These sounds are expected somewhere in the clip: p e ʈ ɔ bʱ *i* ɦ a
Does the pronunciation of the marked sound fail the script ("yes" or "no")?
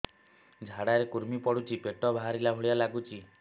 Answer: yes